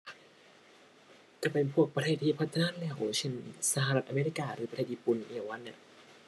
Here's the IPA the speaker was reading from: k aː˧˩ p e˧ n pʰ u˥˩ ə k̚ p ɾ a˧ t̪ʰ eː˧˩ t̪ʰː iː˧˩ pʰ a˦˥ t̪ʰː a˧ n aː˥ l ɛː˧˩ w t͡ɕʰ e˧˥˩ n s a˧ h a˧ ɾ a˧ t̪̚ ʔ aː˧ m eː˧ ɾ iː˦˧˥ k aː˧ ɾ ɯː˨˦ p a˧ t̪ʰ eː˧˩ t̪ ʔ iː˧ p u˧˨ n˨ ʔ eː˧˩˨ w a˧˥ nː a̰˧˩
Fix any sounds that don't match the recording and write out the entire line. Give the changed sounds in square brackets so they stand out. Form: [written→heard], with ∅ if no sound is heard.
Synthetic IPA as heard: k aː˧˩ p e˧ n pʰ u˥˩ ə k̚ p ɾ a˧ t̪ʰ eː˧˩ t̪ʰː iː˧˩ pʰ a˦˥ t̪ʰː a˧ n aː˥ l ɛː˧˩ w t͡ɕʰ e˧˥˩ n s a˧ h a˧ ɾ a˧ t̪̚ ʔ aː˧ m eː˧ ɾ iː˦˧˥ k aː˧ ɾ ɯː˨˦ p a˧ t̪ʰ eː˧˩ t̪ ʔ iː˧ p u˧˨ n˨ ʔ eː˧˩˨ w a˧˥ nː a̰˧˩